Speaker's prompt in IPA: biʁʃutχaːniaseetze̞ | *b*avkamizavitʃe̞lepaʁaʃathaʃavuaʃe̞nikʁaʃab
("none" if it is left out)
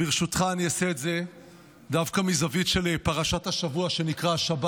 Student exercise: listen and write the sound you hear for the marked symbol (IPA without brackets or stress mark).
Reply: d